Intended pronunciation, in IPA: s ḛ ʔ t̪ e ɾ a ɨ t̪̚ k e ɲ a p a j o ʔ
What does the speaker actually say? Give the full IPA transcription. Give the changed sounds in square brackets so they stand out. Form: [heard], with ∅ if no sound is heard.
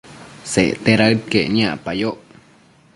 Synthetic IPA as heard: s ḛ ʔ t̪ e ɾ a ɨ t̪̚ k e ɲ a p a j o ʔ